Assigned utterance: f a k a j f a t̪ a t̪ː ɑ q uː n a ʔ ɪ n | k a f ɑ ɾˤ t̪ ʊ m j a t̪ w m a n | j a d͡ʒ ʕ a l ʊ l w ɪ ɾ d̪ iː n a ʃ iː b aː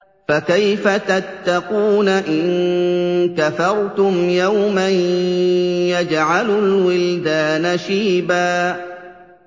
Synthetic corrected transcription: f a k a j f a t̪ a t̪ː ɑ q uː n a ʔ ɪ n | k a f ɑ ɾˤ t̪ ʊ m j a w m a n | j a d͡ʒ ʕ a l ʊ l w ɪ l d̪ aː n a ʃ iː b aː